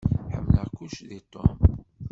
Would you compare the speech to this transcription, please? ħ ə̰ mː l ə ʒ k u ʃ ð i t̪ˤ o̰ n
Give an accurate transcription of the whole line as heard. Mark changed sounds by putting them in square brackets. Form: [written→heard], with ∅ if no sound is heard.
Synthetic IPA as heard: ħ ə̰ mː l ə [ʒ→ʁ] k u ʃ ð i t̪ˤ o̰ [n→m]